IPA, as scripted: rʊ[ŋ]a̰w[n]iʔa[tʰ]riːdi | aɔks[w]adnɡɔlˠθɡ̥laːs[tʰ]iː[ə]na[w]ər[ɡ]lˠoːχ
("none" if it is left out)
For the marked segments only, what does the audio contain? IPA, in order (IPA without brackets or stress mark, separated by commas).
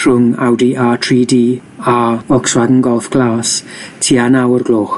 ŋ, d, tʰ, w, tʰ, a, w, ɡ